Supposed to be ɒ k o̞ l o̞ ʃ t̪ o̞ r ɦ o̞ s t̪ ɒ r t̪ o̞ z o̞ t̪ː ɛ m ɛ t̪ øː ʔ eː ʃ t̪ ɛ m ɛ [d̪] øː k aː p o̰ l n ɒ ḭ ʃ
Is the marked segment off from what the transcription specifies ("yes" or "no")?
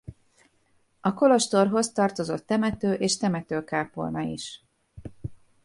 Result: yes